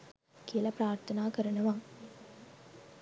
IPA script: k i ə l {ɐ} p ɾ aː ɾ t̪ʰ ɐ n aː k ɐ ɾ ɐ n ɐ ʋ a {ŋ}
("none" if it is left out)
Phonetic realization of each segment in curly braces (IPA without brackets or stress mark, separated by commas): ɐ, ŋ